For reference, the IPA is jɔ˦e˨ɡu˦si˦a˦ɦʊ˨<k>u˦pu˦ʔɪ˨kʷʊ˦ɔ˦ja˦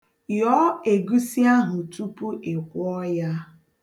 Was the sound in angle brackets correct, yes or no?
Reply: no